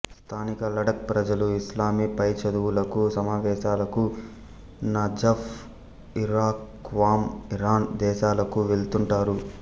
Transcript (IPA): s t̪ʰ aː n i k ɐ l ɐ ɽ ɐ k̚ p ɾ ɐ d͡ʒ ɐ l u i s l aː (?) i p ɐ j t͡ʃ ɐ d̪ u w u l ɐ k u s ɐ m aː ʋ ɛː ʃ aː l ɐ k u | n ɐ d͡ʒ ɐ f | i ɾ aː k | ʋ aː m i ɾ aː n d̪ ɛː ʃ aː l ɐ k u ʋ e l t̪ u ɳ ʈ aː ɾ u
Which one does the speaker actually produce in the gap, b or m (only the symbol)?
m